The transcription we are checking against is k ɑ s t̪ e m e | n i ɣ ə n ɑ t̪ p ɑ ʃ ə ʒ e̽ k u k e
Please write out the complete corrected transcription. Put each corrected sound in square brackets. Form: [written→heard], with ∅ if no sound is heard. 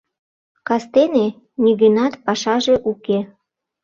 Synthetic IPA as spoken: k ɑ s t̪ e [m→n] e | n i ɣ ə n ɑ t̪ p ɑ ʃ [ə→ɑ] ʒ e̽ [k→ʔ] u k e

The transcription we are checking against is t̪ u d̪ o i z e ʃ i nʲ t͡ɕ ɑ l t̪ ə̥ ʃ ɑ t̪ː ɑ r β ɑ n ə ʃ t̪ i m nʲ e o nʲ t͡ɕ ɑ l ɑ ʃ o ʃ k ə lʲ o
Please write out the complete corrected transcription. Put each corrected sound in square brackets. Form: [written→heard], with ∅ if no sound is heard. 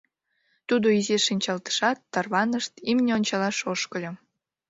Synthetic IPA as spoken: t̪ u d̪ o i z e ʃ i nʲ t͡ɕ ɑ l t̪ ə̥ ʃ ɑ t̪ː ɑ r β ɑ n ə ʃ t̪ i m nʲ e o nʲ t͡ɕ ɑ l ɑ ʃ o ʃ k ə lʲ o

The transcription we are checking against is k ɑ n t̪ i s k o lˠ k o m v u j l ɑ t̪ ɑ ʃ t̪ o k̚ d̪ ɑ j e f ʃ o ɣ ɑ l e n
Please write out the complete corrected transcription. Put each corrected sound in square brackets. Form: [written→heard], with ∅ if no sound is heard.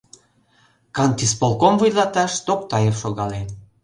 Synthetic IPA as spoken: k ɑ n t̪ i s [k→p] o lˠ k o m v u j l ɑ t̪ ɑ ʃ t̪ o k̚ [d̪→t̪] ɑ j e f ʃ o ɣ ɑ l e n

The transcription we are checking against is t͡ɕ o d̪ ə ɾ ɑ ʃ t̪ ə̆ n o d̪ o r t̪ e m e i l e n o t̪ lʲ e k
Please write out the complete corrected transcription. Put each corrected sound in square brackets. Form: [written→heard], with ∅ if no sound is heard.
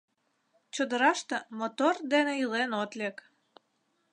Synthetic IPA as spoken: t͡ɕ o d̪ ə ɾ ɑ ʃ t̪ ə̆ [n→m] o [d̪→t̪] o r [t̪→d̪] e [m→n] e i l e n o t̪ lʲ e k

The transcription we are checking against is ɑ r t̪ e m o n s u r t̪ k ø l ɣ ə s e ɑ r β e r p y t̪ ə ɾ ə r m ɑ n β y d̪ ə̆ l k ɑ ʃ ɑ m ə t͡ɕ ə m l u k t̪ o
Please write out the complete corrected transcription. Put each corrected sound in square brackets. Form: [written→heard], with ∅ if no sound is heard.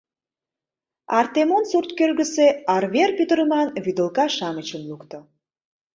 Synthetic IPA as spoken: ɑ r t̪ e m o n s u r t̪ k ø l ɣ ə s e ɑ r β e r p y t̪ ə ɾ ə [r→∅] m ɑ n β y d̪ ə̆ l k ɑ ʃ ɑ m ə t͡ɕ ə m l u k t̪ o

